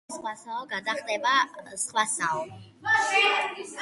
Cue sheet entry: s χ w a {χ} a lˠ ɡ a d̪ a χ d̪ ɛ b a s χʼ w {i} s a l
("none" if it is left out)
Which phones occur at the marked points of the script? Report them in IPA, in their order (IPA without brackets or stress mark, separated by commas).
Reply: s, a